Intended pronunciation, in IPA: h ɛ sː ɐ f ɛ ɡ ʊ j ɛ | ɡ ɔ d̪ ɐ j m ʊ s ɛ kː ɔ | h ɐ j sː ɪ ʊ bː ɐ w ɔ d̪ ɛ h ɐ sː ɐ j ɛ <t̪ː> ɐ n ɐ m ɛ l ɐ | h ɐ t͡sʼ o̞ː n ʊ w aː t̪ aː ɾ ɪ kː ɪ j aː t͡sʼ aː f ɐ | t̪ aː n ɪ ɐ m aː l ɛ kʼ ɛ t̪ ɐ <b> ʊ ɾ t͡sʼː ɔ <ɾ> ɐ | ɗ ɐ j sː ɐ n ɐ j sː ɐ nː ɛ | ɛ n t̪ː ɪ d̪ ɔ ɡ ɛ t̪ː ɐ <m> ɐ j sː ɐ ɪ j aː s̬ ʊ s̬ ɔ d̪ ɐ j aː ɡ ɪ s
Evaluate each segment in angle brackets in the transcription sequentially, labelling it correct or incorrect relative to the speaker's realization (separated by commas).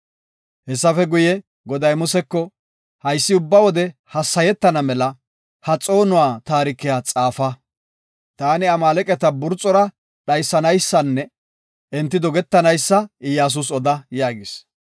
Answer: correct, correct, correct, incorrect